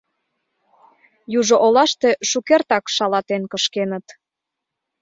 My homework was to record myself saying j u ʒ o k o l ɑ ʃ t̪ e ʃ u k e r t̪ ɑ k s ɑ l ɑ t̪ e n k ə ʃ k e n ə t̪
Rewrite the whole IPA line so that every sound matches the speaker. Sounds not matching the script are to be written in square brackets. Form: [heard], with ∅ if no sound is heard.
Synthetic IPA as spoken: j u ʒ o [ʔ] o l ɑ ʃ t̪ e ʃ u k e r t̪ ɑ k [ʃ] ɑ l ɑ t̪ e n k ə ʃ k e n ə t̪